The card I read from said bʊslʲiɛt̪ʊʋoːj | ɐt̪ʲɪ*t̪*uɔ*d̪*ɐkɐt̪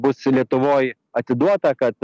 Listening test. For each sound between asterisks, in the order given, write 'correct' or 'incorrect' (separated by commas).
incorrect, incorrect